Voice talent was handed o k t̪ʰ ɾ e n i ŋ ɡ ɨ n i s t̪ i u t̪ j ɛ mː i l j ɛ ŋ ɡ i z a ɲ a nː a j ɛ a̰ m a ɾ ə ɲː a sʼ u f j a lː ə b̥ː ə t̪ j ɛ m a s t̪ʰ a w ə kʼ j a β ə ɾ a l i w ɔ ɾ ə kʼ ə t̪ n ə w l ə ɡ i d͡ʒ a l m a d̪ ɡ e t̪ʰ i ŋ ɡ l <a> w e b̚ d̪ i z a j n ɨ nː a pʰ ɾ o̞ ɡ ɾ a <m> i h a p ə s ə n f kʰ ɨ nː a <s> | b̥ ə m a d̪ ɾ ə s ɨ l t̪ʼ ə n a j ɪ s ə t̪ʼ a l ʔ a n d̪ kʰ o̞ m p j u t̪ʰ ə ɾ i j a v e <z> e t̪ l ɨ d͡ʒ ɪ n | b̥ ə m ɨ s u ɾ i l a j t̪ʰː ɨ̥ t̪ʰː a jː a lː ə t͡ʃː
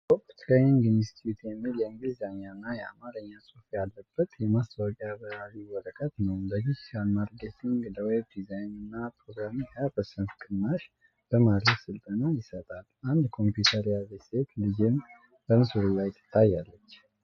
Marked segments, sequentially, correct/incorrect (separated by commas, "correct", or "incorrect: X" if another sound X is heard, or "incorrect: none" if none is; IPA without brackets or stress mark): incorrect: ə, correct, incorrect: ʃ, incorrect: s